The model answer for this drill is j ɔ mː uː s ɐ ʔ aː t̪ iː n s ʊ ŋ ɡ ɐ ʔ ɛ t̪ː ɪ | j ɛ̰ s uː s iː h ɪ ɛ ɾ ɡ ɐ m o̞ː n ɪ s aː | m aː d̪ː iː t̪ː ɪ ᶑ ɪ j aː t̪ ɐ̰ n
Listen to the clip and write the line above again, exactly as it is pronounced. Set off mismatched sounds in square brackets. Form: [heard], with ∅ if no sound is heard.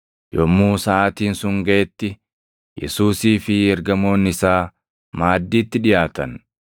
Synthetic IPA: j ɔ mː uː s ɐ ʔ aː t̪ iː n s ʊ ŋ ɡ ɐ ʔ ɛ t̪ː ɪ | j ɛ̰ s uː s iː [f] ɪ ɛ ɾ ɡ ɐ m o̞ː n ɪ s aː | m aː d̪ː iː t̪ː ɪ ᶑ ɪ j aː t̪ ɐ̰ n